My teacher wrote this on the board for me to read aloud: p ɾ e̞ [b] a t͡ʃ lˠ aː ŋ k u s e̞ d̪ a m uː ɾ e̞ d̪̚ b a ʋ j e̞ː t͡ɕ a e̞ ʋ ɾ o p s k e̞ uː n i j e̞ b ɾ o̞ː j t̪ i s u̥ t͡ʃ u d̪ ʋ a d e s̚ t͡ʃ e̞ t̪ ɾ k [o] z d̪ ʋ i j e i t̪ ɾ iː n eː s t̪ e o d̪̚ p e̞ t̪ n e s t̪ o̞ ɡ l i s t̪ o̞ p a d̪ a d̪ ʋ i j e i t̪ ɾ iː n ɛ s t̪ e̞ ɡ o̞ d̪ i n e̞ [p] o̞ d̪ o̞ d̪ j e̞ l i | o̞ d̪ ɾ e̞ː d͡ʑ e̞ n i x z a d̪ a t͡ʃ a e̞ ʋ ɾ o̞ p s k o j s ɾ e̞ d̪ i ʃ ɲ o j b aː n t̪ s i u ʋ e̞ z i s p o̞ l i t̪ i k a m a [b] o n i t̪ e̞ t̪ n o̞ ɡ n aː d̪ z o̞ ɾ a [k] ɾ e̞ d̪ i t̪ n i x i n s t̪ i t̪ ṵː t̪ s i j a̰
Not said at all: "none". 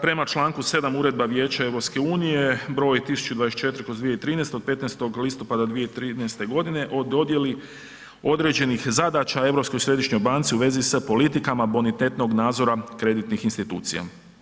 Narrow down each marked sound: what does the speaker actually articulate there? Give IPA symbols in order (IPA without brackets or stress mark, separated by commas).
m, o, ʔ, b, k